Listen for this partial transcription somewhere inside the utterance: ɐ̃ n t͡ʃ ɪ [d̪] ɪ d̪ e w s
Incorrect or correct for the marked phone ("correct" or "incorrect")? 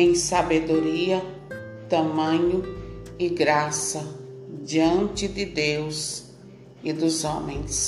correct